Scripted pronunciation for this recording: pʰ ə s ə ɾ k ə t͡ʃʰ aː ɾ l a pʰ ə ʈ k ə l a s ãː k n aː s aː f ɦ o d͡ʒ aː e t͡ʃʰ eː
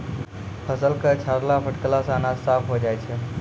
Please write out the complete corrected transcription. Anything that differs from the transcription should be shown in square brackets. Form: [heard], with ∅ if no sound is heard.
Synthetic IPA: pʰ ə s ə [l] k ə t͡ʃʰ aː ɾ l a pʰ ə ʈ k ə l a s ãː [∅] n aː s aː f ɦ o d͡ʒ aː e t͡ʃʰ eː